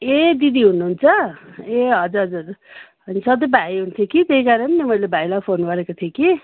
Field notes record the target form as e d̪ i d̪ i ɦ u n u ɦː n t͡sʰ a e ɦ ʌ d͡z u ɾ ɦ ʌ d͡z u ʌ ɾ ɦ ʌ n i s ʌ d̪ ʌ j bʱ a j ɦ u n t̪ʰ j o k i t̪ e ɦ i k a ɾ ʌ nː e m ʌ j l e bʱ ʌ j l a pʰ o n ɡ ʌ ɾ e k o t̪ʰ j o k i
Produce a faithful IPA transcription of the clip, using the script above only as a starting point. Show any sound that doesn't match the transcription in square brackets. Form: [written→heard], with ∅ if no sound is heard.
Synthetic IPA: e d̪ i d̪ i ɦ u n u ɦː n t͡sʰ [a→ʌ] e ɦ ʌ d͡z u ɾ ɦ ʌ d͡z u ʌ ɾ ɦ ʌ n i s ʌ d̪ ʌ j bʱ a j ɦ u n t̪ʰ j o k i t̪ e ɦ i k a ɾ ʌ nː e m ʌ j l e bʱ [ʌ→a] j l a pʰ o n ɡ ʌ ɾ e k o t̪ʰ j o k i